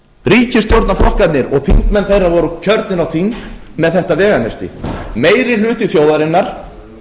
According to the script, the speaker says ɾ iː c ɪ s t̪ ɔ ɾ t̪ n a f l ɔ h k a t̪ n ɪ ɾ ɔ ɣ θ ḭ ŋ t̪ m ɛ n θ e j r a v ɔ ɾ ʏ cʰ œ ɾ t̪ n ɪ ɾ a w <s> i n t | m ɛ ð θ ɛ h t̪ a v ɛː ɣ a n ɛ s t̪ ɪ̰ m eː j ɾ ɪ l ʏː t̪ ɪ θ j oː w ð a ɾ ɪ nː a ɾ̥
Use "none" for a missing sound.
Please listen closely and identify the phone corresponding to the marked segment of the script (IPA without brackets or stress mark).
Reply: θ